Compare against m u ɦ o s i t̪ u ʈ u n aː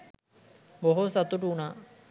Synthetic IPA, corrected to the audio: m o ɦ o s a t̪ u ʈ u n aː